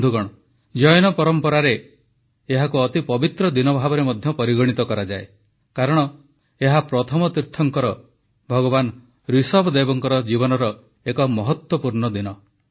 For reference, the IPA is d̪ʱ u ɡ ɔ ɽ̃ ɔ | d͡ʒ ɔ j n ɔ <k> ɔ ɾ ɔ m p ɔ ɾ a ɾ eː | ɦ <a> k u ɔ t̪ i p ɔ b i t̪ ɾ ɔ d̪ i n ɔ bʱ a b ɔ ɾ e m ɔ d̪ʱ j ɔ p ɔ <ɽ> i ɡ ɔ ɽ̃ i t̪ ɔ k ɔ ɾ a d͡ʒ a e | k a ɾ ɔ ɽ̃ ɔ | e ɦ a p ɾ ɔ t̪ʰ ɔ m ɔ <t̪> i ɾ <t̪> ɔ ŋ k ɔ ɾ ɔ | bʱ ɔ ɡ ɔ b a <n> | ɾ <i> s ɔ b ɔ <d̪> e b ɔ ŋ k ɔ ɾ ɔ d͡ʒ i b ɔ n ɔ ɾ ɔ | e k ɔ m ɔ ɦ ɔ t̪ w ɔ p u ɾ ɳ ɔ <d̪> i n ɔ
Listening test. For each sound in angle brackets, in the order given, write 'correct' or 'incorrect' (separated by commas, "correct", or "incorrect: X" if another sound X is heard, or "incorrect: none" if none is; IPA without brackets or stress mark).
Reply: incorrect: p, correct, incorrect: ɾ, correct, incorrect: t̪ʰ, correct, correct, correct, correct